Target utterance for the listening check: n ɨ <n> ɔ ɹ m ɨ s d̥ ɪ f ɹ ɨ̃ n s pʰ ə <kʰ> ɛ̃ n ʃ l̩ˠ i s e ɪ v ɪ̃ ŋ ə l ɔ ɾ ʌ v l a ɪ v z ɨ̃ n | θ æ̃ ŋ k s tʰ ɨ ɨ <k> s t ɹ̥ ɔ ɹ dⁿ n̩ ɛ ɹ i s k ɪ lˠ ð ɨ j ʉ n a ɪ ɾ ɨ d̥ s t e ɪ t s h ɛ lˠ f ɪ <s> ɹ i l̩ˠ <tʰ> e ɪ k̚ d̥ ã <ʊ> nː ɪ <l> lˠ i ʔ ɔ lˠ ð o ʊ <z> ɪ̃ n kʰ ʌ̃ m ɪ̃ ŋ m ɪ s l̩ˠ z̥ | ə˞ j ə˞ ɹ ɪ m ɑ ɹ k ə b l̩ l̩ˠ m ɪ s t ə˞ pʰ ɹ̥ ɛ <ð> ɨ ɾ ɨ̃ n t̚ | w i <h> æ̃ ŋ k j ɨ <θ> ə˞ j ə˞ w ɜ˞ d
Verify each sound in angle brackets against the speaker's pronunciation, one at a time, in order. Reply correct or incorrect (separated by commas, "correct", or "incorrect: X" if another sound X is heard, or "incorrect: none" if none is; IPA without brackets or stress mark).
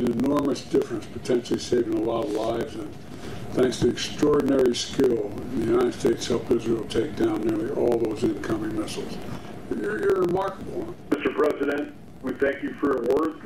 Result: correct, incorrect: tʰ, correct, incorrect: z, correct, incorrect: ʊ̃, incorrect: ɹ, correct, incorrect: z, incorrect: θ, incorrect: f